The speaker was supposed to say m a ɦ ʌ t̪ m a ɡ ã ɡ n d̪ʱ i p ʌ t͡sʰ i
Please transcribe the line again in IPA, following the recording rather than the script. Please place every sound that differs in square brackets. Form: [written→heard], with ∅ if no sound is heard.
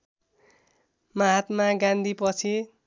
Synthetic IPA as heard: m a ɦ [ʌ→a] t̪ m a ɡ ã [ɡ→∅] n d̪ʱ i p ʌ t͡sʰ i

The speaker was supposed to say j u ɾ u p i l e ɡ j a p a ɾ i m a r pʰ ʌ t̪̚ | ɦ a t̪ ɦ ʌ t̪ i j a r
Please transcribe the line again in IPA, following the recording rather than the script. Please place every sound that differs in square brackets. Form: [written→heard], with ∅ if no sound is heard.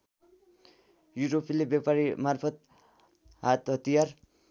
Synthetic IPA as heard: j u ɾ [u→o] p i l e [ɡ→b] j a p a ɾ i m a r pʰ ʌ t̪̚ | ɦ a t̪ ɦ ʌ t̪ i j a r

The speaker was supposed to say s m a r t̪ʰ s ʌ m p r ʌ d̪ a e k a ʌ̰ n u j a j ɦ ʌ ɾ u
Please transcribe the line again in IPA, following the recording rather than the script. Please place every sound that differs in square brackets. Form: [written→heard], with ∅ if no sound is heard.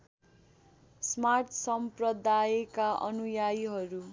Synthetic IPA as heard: s m a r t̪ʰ s ʌ m p r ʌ d̪ a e k a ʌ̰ n u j a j ɦ ʌ ɾ u

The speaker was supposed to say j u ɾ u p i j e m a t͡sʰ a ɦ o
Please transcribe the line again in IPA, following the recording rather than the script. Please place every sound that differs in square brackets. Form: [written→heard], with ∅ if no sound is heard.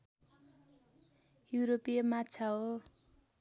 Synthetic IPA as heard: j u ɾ [u→o] p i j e m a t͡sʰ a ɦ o

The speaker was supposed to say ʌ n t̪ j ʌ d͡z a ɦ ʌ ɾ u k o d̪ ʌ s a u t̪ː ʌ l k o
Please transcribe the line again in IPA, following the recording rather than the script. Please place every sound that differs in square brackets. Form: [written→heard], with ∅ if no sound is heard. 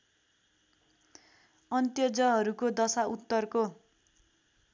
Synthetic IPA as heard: ʌ n t̪ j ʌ d͡z [a→ʌ] ɦ ʌ ɾ u k o d̪ ʌ s a u t̪ː ʌ [l→r] k o

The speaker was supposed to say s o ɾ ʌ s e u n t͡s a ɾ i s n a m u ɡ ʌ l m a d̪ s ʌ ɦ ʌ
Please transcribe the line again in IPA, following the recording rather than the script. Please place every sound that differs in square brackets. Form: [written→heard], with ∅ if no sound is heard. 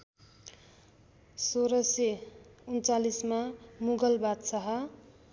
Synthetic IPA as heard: s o ɾ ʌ s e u n t͡s a [ɾ→l] i s [n→m] a m u ɡ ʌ l [m→b] a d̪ s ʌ ɦ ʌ

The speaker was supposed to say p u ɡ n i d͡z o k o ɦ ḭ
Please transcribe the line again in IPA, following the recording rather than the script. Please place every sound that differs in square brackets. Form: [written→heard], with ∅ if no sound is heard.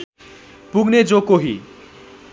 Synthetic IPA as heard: p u ɡ n [i→e] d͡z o k o ɦ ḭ

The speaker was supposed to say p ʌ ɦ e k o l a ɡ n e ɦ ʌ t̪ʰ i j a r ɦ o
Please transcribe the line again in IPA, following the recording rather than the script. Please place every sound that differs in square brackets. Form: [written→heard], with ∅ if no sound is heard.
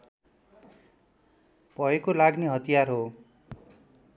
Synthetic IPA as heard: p ʌ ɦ e k o l a ɡ n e ɦ ʌ [t̪ʰ→t̪] i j a r ɦ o

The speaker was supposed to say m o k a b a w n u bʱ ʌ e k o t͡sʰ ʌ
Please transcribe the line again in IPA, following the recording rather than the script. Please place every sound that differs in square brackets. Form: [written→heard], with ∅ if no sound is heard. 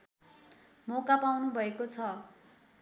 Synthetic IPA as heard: m o k a [b→p] a w n u bʱ ʌ e k o t͡sʰ ʌ

